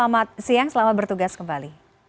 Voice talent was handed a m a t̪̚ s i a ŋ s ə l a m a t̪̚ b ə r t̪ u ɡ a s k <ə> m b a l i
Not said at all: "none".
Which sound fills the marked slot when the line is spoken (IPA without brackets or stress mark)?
ə